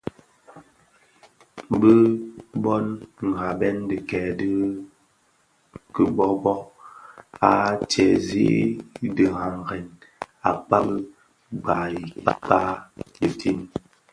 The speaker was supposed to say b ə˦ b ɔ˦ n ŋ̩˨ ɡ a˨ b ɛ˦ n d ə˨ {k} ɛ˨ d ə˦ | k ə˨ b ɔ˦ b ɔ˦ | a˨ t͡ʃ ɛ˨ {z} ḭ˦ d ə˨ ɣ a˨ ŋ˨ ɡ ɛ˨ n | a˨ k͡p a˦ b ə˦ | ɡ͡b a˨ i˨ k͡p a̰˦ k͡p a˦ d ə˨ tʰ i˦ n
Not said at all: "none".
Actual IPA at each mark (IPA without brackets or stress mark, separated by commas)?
k, z